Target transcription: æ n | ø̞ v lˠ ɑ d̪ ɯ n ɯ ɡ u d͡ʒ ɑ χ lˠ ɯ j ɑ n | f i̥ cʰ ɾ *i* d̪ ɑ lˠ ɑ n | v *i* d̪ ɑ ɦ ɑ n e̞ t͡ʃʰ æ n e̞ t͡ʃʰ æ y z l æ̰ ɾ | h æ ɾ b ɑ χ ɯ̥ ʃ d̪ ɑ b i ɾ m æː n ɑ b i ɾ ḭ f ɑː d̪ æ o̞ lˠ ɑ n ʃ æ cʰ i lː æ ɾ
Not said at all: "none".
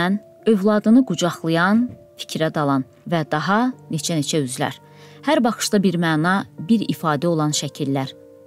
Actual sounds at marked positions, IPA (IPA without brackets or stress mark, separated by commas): æ, æ